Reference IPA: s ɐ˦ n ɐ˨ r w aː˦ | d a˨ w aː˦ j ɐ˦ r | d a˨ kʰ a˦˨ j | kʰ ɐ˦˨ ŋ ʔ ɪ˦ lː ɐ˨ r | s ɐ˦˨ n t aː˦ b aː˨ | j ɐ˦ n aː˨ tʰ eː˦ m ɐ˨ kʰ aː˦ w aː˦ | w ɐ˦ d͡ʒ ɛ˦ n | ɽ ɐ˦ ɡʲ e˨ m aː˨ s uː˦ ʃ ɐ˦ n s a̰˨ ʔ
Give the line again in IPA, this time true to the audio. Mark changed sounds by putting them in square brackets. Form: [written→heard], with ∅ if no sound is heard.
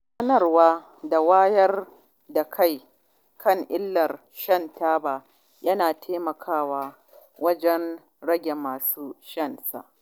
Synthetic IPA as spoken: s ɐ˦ n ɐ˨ r w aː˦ | d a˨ w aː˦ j ɐ˦ r | d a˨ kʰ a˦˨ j | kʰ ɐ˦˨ ŋ ʔ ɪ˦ lː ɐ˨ r | [s→ʃ] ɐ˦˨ n t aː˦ b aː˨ | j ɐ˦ n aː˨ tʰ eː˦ m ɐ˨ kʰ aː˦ w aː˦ | w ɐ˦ d͡ʒ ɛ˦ n | ɽ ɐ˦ ɡʲ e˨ m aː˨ s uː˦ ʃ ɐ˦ n s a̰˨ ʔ